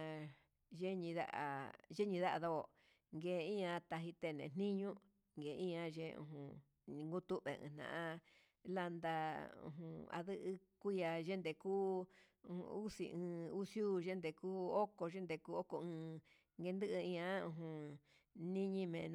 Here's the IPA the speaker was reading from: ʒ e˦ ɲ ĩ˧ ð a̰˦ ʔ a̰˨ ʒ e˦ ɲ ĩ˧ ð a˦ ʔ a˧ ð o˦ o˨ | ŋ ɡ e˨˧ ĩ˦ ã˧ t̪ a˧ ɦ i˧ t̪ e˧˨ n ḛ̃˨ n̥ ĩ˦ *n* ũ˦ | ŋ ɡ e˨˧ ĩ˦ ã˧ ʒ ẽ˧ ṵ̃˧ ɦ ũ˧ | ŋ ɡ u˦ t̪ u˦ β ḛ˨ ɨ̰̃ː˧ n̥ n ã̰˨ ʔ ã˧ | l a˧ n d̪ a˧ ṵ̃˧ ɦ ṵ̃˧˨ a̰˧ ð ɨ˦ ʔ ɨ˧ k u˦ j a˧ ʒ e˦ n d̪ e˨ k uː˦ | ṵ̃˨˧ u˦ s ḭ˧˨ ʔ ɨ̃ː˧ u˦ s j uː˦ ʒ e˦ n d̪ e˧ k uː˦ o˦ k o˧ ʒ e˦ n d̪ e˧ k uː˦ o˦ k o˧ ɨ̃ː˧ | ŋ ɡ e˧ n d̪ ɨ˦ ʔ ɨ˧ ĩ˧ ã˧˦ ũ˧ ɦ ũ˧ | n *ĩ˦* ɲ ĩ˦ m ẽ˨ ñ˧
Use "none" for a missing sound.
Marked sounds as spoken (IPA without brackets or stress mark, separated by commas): ɲ, ĩ˦